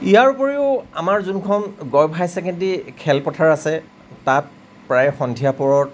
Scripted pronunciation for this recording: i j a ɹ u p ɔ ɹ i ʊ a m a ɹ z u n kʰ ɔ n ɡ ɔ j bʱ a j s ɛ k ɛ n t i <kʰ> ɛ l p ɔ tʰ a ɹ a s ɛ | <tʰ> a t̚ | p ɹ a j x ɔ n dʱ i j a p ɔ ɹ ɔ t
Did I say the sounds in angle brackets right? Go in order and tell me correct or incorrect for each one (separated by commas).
correct, incorrect